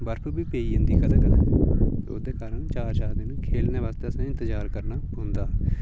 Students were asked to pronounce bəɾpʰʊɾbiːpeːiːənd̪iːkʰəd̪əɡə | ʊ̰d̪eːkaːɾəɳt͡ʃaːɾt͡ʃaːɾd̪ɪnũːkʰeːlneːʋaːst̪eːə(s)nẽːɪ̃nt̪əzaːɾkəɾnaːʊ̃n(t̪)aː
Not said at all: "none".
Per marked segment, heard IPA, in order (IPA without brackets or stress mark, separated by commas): s, d̪